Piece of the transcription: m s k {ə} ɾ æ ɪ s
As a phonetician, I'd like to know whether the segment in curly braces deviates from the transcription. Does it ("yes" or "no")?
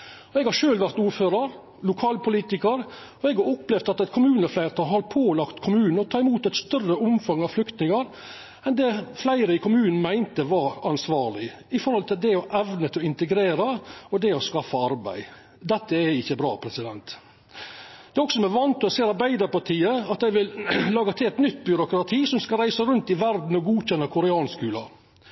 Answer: yes